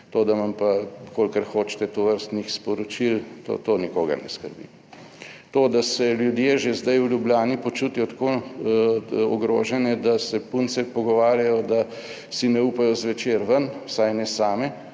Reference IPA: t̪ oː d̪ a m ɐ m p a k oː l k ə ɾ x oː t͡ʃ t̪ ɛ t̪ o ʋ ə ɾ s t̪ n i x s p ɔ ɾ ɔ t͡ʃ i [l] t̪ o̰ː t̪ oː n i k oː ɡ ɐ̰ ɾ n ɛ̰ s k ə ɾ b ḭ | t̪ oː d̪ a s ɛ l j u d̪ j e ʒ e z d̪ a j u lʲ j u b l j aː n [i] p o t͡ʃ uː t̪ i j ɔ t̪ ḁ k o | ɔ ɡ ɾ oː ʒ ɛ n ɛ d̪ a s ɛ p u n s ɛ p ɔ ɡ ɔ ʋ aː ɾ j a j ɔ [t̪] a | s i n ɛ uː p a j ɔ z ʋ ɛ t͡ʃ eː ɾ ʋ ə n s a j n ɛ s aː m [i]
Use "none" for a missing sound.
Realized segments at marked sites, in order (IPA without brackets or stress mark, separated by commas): l, i, d̪, ɛ